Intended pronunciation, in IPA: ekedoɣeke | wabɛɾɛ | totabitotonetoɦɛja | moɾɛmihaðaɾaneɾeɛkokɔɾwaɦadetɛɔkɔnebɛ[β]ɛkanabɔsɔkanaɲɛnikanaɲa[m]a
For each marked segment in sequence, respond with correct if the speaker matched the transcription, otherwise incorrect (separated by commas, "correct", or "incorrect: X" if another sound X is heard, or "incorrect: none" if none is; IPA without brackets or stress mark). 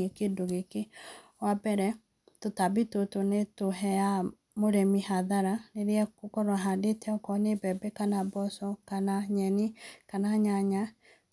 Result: incorrect: b, incorrect: ɲ